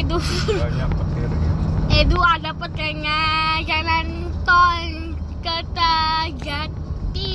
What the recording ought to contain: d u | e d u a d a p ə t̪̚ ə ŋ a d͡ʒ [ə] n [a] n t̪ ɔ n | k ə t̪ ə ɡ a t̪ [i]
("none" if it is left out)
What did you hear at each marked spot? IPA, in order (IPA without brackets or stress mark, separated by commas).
a, a, i